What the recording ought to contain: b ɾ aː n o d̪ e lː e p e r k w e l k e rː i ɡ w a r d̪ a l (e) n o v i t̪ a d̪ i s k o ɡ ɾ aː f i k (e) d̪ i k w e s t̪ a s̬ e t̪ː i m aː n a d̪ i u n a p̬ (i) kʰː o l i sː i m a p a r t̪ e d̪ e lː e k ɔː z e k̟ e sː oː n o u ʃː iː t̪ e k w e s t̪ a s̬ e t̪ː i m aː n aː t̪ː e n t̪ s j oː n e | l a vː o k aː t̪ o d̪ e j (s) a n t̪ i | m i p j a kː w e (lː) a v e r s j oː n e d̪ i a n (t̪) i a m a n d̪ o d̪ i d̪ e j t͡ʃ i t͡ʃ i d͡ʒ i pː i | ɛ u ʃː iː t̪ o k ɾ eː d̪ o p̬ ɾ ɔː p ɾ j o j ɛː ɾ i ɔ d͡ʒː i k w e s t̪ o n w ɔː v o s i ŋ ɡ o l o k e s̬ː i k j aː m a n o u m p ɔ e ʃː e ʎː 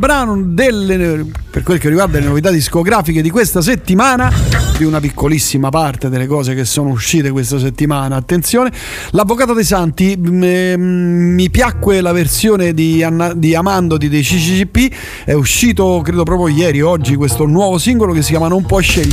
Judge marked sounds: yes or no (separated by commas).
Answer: yes, yes, yes, yes, no, no